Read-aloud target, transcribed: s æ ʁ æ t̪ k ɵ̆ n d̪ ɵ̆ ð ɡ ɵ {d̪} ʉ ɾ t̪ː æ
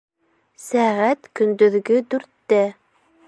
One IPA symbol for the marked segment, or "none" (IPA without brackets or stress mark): d̪